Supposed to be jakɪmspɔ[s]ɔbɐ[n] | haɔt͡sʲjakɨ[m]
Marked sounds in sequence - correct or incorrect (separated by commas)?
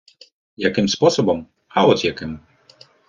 correct, incorrect, correct